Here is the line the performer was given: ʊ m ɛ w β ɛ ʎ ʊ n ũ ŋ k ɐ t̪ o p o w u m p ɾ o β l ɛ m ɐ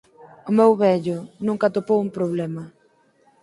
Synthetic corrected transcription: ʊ m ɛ w β ɛ ʎ ʊ n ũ ŋ k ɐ t̪ o p o w u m p ɾ o β l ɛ m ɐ